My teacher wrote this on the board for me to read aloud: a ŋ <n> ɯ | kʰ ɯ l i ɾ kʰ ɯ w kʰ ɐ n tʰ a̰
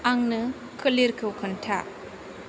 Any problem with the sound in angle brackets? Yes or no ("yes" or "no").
no